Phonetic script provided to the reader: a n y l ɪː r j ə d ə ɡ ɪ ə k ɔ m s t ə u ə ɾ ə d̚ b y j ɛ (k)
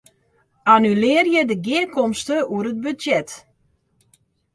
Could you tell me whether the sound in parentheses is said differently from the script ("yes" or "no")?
yes